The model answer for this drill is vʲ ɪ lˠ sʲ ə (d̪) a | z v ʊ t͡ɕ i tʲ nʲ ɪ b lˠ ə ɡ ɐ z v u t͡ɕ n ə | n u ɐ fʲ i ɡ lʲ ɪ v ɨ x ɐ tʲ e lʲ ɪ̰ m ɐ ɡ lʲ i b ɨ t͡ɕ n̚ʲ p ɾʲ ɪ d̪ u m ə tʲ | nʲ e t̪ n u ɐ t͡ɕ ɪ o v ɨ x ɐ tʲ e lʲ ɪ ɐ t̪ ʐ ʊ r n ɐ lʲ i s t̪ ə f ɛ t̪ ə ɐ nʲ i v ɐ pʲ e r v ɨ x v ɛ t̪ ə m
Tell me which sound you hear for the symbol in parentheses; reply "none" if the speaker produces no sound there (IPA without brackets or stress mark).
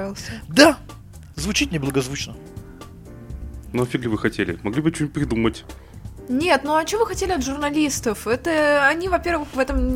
d̪